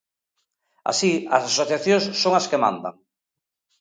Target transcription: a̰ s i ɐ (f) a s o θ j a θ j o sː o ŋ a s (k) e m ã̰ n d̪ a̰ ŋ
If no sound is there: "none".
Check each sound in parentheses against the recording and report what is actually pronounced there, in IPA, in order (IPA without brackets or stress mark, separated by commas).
s, k